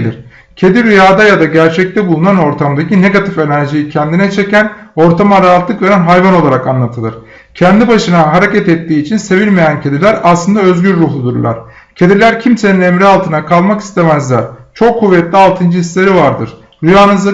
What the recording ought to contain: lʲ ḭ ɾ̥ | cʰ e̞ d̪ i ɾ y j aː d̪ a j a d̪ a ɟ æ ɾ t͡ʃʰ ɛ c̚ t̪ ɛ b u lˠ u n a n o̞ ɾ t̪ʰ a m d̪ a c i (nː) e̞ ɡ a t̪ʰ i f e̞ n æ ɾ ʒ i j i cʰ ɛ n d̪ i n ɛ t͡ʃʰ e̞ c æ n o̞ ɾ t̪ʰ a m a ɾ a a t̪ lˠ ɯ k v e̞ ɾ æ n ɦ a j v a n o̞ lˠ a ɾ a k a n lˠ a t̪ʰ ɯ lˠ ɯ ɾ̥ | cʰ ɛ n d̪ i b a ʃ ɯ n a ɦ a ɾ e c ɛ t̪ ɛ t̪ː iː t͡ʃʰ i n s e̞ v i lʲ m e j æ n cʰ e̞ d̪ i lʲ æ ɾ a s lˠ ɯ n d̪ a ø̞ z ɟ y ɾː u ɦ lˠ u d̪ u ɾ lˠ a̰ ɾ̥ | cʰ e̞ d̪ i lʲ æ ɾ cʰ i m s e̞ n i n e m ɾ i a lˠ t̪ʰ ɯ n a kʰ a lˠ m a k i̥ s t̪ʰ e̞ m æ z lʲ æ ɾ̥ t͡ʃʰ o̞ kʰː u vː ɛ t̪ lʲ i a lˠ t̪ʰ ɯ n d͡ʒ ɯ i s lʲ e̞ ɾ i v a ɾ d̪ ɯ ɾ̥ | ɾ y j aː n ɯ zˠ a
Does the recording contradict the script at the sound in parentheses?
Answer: yes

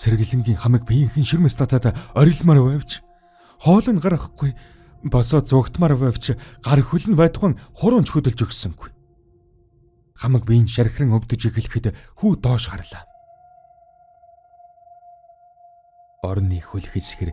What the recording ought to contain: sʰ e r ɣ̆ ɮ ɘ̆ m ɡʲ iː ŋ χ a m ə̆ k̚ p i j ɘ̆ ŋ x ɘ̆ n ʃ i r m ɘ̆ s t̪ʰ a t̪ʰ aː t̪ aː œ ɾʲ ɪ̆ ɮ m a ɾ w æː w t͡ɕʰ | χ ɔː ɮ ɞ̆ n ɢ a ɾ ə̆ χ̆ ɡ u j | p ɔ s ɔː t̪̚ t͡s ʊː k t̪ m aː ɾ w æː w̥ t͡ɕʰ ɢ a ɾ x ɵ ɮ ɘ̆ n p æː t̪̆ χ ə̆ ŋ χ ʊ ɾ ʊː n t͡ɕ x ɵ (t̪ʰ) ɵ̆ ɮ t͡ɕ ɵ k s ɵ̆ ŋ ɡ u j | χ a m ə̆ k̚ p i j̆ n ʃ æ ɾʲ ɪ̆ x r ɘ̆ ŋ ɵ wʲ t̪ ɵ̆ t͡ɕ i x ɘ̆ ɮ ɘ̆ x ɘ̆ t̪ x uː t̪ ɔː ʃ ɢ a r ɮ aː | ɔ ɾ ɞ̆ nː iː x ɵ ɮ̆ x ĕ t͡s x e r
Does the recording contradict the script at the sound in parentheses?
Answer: yes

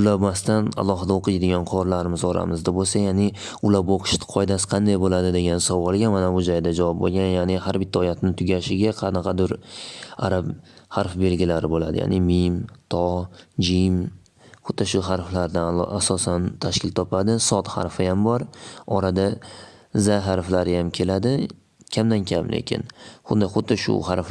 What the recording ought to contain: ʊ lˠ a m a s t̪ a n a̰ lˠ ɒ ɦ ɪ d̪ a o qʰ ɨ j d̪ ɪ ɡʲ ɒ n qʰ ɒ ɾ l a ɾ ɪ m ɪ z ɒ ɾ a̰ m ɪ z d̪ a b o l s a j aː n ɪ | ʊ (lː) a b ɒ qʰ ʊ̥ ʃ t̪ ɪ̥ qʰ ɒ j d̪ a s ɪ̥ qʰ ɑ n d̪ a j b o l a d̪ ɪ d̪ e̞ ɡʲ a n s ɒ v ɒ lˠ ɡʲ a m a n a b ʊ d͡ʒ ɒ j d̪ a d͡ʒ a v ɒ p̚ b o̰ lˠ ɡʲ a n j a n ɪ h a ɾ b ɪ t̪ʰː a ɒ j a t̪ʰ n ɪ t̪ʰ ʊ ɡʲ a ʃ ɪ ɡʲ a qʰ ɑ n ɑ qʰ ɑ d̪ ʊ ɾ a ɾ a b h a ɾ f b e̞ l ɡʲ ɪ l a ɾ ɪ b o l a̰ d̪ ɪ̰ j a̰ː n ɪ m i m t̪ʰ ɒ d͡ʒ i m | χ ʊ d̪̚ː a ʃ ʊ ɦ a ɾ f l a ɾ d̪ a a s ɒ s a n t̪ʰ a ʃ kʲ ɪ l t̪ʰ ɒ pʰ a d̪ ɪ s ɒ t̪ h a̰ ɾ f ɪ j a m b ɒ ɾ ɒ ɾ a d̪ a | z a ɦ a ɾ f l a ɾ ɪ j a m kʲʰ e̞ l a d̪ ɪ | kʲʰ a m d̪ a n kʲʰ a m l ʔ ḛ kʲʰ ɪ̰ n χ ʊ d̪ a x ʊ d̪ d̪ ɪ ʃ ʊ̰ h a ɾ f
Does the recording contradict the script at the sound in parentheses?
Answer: yes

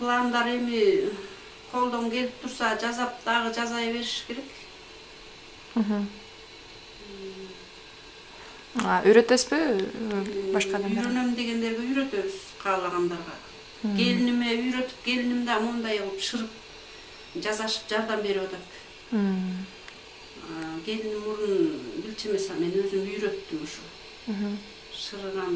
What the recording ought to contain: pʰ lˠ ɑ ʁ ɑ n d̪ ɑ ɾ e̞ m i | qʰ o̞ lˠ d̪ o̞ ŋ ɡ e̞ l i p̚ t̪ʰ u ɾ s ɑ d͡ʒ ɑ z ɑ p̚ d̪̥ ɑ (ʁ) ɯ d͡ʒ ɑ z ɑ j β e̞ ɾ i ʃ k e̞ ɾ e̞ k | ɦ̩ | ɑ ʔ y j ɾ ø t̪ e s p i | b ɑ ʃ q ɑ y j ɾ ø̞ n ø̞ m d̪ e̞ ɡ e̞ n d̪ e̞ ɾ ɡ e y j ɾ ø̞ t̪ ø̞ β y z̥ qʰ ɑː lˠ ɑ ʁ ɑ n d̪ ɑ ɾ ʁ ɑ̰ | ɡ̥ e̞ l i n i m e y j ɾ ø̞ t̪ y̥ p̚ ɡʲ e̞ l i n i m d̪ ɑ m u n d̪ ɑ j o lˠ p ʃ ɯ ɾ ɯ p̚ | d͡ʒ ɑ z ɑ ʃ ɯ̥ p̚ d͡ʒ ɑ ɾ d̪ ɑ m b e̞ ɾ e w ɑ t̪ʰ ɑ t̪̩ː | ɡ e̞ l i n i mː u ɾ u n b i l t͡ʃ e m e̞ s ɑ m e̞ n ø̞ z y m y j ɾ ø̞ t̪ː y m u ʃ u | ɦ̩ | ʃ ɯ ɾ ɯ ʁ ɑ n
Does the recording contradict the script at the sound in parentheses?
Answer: no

